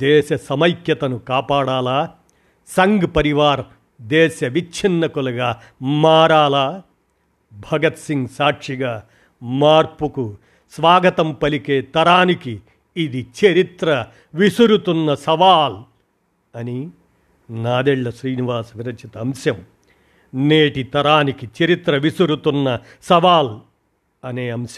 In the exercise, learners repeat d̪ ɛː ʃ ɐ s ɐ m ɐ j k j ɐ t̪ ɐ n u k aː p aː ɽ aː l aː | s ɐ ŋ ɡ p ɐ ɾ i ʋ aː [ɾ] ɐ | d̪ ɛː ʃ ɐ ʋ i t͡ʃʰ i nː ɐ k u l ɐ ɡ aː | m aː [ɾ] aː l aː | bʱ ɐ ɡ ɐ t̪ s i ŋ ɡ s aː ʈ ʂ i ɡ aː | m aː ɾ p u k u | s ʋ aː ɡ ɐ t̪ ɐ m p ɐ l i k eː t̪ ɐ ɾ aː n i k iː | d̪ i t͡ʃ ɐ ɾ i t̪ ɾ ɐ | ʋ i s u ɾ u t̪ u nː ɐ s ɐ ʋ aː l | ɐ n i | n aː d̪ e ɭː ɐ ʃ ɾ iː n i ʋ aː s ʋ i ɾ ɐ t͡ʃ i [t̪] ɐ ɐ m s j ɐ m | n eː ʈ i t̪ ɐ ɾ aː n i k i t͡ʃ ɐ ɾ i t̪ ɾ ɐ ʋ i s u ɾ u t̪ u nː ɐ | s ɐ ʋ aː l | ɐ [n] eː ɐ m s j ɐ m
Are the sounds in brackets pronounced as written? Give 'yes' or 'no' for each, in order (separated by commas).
yes, yes, yes, yes